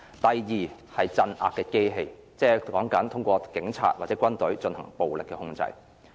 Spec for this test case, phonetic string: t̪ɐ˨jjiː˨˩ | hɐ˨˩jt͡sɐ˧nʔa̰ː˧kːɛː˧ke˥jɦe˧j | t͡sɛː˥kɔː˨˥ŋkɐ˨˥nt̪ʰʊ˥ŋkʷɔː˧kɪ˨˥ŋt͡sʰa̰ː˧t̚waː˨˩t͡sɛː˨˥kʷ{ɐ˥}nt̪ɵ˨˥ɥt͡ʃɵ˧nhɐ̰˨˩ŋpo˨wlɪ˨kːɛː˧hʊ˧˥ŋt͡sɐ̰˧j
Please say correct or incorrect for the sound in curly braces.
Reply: correct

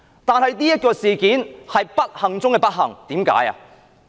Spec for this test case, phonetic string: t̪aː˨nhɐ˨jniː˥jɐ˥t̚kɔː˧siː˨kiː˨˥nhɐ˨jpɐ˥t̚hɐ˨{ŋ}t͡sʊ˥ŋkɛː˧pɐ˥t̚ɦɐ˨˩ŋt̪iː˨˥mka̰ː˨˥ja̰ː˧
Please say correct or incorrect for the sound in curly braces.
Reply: correct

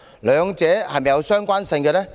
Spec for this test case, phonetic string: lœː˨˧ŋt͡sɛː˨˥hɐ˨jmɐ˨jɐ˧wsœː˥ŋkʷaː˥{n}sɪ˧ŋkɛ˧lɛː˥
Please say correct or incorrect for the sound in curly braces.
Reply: correct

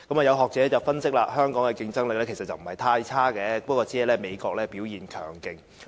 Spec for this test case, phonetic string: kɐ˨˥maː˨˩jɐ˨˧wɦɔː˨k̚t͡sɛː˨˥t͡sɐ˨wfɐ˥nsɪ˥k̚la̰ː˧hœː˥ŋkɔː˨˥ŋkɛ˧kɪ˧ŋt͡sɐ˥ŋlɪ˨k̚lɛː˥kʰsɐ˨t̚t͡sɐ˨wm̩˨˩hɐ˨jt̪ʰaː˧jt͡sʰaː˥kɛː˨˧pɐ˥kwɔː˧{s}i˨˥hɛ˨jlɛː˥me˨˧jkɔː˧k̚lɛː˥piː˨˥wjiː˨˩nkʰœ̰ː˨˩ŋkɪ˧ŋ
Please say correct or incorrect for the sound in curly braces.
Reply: incorrect: t͡s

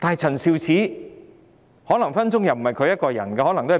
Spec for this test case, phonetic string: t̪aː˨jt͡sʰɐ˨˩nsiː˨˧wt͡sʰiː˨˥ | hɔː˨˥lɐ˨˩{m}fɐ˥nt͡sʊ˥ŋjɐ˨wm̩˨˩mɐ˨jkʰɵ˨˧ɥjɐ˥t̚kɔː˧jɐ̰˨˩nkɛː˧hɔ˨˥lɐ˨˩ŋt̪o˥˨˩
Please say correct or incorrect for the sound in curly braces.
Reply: incorrect: ŋ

